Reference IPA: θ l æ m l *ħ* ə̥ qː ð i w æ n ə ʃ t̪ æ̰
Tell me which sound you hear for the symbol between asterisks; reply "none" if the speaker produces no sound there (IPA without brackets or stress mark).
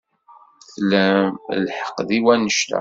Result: ħ